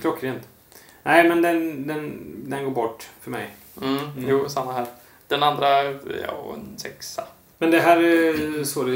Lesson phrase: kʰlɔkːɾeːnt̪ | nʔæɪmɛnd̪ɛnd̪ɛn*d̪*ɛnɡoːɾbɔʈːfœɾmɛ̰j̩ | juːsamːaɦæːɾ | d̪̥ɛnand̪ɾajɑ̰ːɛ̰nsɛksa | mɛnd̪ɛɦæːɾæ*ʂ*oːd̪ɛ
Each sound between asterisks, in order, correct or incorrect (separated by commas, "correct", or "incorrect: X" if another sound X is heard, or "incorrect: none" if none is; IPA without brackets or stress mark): correct, incorrect: s